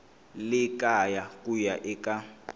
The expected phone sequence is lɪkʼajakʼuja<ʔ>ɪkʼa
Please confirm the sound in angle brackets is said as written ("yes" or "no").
yes